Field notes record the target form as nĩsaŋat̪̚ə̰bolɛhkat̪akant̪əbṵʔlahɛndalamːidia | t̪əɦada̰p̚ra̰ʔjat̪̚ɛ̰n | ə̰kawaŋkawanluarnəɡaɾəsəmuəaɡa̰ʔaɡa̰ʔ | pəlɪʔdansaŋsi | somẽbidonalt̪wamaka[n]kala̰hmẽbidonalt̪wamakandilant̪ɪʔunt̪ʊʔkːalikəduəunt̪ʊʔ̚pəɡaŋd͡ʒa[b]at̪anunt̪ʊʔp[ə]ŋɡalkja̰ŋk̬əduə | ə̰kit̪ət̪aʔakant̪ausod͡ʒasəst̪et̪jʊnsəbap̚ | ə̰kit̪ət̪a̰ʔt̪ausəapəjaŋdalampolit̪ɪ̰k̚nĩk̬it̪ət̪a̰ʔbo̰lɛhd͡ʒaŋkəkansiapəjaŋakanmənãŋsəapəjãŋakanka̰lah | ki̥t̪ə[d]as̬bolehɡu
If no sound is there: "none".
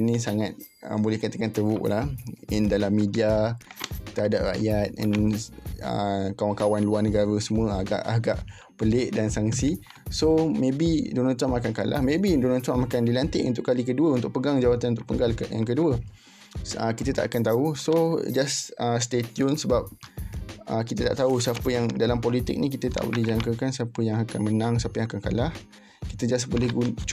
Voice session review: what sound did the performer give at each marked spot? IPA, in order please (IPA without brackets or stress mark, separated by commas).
n, w, ə, d͡ʒ